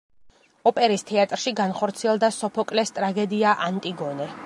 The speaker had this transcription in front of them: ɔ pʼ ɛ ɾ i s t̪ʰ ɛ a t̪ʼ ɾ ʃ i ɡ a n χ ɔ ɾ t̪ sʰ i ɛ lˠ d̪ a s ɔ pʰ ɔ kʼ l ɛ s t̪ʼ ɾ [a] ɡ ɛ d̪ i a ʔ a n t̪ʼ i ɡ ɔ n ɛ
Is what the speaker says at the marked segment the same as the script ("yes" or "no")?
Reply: yes